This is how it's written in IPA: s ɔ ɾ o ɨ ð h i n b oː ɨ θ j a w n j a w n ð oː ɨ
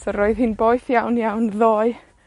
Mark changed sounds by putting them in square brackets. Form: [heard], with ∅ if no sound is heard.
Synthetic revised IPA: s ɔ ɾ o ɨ ð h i n b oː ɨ θ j a w n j a w n ð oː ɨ